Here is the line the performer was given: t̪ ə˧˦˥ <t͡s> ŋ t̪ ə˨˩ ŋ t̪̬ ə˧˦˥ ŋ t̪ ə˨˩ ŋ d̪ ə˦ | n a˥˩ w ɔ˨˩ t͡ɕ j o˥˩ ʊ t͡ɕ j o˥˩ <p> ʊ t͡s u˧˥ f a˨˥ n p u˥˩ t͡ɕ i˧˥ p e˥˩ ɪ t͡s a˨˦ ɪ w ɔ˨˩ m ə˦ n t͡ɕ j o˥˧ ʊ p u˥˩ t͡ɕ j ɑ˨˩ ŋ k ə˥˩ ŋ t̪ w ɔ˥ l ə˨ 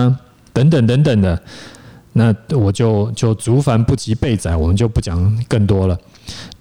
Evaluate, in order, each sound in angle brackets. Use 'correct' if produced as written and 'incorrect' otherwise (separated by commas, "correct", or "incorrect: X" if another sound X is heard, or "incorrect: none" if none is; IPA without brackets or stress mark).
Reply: incorrect: none, incorrect: none